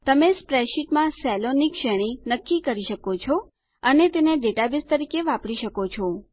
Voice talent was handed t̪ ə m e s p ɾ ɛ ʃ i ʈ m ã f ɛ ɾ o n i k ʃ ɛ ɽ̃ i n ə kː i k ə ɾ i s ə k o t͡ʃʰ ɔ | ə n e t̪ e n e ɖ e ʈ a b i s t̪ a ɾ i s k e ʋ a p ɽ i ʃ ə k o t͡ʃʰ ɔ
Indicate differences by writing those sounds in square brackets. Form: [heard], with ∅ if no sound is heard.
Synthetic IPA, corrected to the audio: t̪ ə m e s p ɾ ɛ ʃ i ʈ m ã [s] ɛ [l] o n i k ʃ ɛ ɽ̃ i n ə kː i k ə ɾ i [ʃ] ə k o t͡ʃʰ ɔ | ə n e t̪ e n e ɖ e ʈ a b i s t̪ [ə] ɾ i [∅] k e ʋ a p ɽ i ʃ ə k o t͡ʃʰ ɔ